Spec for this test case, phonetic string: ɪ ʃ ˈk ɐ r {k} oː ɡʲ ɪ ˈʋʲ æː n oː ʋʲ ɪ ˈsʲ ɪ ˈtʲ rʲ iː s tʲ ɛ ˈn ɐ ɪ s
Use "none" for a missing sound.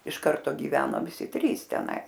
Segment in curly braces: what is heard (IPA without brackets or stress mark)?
t